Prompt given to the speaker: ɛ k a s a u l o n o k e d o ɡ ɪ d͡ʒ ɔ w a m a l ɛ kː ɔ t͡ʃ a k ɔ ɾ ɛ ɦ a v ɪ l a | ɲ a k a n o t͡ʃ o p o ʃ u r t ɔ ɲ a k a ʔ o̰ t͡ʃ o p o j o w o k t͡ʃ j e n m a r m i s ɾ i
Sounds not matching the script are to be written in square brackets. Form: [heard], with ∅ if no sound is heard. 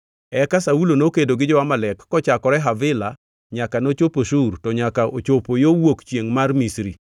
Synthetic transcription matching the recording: ɛ k a s a u l o n o k e d o ɡ ɪ d͡ʒ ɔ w a m a l ɛ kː ɔ t͡ʃ a k ɔ ɾ ɛ ɦ a v ɪ l a | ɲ a k a n o t͡ʃ o p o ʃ u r t ɔ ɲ a k a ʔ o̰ t͡ʃ o p o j o w o k t͡ʃ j e [ŋ] m a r m i s ɾ i